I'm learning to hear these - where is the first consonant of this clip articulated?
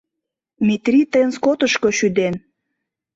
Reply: lips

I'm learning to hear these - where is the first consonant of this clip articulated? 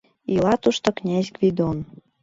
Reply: tongue tip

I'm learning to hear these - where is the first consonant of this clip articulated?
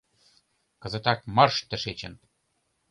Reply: velum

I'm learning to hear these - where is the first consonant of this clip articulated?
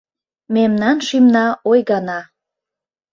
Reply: lips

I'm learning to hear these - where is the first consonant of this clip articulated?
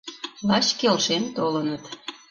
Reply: tongue tip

